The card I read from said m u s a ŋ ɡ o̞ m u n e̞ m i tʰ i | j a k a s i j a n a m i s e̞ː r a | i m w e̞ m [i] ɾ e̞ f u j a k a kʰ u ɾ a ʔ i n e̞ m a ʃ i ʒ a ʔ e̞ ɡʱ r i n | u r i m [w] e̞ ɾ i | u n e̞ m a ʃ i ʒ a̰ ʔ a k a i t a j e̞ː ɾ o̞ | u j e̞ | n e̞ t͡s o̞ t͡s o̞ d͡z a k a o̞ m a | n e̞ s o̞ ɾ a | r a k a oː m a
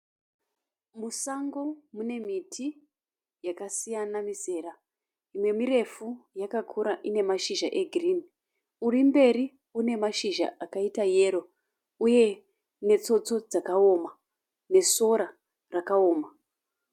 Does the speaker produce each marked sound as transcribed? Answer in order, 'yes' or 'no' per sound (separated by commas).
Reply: yes, no